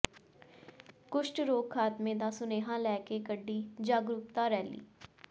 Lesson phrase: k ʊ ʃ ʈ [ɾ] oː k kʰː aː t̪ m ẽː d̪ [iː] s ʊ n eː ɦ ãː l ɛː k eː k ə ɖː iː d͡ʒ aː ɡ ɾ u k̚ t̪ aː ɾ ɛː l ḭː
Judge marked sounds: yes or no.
yes, no

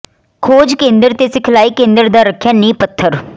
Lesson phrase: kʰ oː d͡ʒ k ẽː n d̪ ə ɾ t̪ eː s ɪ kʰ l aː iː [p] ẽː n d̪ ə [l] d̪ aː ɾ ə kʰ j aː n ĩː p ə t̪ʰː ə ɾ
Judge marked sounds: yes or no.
no, no

